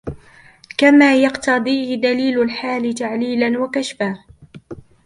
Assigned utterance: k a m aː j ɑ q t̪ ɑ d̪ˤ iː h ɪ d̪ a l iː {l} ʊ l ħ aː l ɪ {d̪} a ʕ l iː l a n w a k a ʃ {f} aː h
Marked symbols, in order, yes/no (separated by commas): yes, no, yes